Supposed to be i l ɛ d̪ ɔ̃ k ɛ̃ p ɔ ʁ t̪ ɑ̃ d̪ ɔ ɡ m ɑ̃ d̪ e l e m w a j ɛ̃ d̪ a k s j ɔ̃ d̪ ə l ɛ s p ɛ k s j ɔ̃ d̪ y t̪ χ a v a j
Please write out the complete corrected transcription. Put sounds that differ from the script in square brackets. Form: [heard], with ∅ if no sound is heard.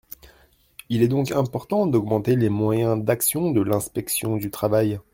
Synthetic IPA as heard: i l ɛ d̪ ɔ̃ k ɛ̃ p ɔ ʁ t̪ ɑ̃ d̪ ɔ ɡ m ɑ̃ [t̪] e l e m w a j ɛ̃ d̪ a k s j ɔ̃ d̪ ə l [ɛ̃] s p ɛ k s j ɔ̃ d̪ y t̪ χ a v a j